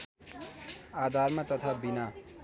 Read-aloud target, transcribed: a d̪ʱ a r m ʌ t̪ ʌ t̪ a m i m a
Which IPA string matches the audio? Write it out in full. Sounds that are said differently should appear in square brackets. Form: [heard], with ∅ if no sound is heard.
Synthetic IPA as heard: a d̪ʱ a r m [a] t̪ ʌ [t̪ʰ] a [b] i [n] a

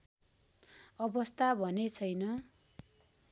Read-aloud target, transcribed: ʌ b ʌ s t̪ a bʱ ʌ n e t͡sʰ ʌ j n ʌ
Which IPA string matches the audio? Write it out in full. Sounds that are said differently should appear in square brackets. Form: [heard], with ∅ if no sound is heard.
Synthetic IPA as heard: ʌ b ʌ s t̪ a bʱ ʌ n e t͡sʰ ʌ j n ʌ

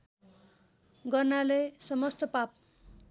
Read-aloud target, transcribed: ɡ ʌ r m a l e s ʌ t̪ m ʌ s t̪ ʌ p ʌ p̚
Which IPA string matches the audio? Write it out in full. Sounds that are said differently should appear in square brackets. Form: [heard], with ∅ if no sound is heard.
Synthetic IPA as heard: ɡ ʌ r [n] a l e s ʌ [∅] m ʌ s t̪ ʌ p [a] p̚

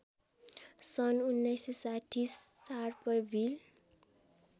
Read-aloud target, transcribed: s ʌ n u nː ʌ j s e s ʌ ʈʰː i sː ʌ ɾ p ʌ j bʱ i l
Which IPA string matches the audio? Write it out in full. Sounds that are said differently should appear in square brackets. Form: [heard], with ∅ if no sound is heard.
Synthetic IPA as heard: s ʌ n u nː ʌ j s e s [a] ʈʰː i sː [a] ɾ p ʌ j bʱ i l

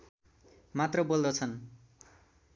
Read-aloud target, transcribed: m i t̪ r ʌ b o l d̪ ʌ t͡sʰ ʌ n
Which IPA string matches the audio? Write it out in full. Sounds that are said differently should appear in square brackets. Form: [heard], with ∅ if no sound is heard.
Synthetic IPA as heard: m [a] t̪ r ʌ b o l d̪ ʌ t͡sʰ ʌ n

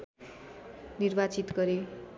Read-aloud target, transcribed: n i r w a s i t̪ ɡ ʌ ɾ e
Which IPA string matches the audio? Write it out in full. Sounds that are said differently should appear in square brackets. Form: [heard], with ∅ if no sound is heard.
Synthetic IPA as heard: n i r [b] a [t͡s] i t̪ ɡ ʌ ɾ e

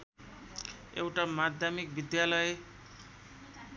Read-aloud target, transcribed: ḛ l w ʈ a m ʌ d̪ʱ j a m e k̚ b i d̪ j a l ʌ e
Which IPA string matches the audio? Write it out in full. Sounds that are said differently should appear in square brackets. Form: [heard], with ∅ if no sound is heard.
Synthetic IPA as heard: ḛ [∅] w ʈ a m [a] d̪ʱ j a m [i] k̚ b i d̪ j a l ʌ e

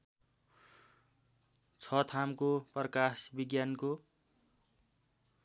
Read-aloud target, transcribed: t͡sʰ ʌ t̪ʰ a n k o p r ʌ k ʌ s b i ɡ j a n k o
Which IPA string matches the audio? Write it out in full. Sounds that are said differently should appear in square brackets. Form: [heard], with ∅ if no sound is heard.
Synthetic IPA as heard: t͡sʰ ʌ t̪ʰ a [m] k o p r ʌ k [a] s b i ɡ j a n k o

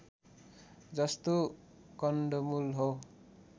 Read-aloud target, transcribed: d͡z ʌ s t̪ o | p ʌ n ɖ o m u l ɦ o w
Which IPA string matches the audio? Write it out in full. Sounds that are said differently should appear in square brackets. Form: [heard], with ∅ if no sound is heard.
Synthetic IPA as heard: d͡z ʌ s t̪ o | [k] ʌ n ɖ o m u l ɦ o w

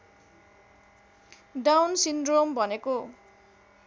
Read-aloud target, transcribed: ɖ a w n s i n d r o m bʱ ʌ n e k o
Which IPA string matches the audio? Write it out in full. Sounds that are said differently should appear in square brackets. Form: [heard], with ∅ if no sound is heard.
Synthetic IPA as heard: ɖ a w n s i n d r o m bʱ ʌ n e k o

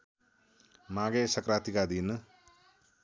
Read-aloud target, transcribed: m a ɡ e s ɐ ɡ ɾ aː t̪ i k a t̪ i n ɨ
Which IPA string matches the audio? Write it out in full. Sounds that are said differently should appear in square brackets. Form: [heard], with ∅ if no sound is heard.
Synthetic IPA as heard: m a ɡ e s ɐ [k] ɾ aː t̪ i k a [d̪] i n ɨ

